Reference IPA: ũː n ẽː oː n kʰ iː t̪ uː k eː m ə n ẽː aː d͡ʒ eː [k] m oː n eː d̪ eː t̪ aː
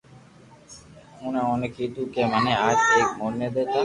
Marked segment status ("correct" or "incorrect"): correct